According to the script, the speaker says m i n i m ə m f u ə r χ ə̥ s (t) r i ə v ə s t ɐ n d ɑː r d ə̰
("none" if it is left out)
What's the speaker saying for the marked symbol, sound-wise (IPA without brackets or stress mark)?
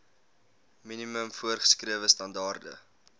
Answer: k